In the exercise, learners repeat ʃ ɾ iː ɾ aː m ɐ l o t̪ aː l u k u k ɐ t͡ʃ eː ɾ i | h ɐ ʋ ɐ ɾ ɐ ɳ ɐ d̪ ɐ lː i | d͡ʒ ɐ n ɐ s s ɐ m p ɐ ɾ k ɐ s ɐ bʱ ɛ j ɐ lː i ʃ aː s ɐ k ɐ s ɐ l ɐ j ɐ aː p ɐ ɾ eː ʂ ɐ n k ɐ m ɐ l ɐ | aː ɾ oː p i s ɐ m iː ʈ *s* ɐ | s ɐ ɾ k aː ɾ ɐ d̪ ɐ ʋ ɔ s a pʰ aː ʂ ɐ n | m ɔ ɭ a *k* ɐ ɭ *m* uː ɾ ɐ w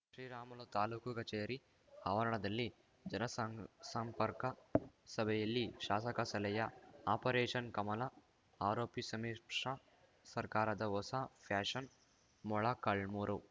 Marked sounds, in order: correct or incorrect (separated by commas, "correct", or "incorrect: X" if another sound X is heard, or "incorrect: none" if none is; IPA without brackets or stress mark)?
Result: incorrect: ʂ, correct, correct